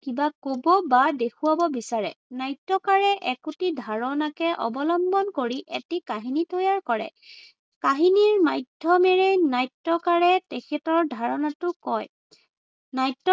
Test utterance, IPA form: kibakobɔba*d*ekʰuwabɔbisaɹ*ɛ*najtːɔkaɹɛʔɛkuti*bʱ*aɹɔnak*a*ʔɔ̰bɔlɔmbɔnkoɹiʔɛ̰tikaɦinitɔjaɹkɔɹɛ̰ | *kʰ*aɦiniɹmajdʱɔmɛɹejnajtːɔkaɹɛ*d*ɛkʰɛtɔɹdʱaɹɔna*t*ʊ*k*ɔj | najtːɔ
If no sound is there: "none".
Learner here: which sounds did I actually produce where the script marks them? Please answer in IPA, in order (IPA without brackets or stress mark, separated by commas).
d, ɛ, dʱ, ɛ, k, t, t, k